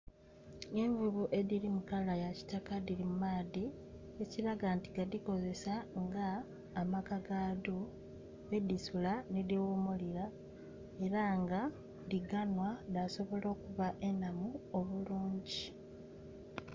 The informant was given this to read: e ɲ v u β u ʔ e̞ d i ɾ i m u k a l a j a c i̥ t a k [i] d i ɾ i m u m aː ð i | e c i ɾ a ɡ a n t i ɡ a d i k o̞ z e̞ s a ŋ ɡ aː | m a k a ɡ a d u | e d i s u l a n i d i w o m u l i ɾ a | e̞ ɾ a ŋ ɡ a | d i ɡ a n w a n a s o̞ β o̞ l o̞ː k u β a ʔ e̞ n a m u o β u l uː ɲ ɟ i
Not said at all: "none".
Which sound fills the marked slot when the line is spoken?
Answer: a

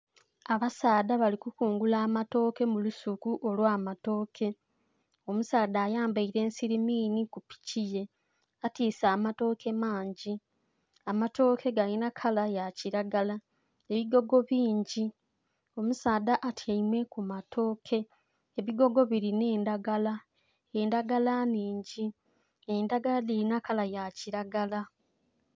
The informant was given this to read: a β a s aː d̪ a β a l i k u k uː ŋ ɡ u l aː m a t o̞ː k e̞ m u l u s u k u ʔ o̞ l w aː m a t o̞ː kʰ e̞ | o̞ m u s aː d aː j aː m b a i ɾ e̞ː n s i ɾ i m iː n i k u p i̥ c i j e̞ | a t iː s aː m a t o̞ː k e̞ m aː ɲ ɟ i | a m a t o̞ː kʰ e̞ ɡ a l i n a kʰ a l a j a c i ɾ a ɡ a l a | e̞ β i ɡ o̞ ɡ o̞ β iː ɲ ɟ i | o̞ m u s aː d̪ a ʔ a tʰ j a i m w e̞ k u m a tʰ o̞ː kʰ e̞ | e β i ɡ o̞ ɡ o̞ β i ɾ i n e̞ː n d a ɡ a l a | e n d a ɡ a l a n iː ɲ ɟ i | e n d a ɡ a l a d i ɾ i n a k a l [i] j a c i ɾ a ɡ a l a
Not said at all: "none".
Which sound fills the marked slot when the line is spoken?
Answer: a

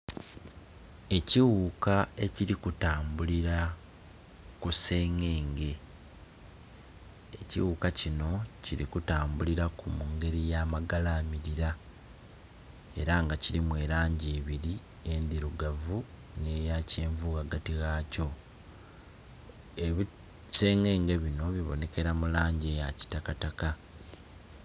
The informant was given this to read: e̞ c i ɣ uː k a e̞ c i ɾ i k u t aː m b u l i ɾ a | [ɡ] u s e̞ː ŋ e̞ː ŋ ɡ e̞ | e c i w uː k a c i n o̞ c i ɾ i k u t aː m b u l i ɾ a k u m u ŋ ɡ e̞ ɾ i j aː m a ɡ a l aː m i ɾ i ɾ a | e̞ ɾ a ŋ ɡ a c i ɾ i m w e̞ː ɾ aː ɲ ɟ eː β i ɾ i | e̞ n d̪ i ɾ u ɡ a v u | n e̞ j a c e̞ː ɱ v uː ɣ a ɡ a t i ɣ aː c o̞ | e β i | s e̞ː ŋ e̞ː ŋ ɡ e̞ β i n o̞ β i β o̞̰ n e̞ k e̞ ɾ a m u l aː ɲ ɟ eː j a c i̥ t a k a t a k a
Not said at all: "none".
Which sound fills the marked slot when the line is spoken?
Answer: k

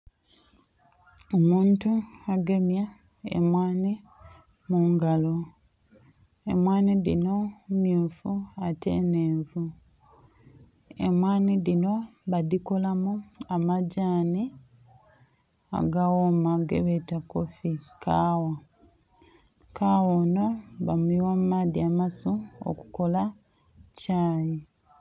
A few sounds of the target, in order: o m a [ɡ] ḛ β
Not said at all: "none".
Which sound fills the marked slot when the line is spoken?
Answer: ɡ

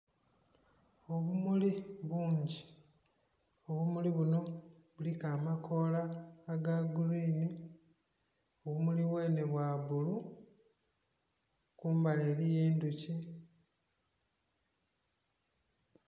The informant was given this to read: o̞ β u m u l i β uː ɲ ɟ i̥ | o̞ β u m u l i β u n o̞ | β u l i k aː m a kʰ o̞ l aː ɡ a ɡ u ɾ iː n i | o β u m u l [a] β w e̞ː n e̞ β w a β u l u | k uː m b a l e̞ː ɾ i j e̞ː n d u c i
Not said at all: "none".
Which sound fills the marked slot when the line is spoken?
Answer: i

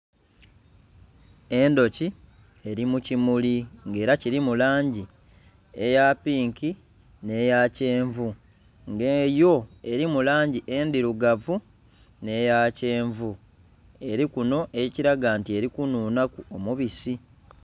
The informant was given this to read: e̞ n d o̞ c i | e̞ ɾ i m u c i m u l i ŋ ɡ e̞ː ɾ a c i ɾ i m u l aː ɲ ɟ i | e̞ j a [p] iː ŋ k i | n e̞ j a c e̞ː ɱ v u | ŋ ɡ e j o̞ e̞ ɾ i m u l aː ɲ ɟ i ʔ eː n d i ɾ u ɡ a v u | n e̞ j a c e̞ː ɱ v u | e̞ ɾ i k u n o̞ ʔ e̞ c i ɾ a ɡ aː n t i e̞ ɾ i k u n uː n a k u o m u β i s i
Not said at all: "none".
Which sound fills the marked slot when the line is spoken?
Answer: p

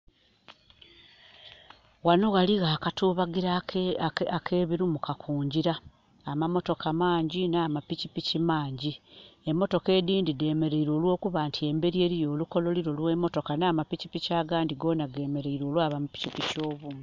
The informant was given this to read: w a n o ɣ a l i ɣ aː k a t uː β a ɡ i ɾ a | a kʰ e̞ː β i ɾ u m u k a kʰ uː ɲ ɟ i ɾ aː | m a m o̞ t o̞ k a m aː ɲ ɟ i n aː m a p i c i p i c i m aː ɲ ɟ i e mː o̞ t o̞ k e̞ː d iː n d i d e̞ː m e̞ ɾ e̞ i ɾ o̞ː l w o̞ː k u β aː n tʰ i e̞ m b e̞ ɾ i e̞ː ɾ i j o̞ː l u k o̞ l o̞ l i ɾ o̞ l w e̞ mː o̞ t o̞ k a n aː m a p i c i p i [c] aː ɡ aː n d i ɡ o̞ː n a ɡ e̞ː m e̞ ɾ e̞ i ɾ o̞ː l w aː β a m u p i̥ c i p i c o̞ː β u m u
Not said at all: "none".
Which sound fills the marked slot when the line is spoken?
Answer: c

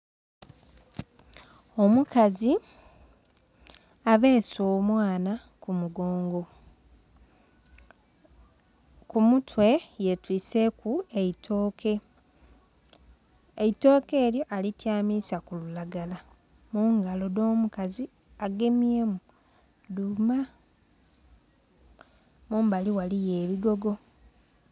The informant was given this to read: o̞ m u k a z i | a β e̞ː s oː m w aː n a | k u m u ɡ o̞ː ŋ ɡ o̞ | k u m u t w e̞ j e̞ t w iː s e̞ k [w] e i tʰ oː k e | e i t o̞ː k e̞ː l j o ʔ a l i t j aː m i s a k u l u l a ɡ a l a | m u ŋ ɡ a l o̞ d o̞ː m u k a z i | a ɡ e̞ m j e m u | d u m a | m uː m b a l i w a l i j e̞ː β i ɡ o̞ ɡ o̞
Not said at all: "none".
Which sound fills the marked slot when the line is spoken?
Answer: u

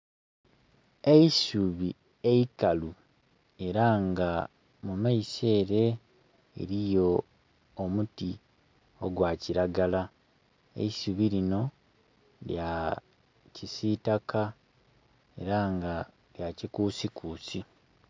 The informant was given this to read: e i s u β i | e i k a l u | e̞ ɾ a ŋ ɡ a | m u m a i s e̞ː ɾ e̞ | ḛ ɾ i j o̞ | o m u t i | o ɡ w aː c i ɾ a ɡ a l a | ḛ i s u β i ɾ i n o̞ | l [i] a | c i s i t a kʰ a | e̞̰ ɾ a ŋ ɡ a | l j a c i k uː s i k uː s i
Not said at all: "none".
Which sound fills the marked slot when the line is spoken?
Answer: j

